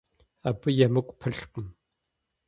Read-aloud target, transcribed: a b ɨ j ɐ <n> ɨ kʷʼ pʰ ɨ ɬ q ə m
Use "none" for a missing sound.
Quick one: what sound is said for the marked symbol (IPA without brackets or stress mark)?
m